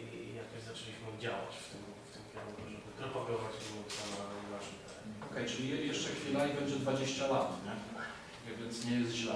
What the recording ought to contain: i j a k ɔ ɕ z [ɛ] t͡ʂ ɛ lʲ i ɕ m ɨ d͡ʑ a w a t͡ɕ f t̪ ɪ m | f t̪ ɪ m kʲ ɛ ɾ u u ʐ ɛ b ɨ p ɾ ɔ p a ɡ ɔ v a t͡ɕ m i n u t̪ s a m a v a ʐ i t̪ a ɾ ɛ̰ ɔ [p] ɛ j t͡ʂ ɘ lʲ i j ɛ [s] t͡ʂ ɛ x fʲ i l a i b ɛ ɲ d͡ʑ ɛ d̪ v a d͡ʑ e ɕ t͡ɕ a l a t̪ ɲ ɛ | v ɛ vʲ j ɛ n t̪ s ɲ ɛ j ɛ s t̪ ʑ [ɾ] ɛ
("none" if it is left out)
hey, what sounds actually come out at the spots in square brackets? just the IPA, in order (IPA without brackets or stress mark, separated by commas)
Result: a, k, ʂ, l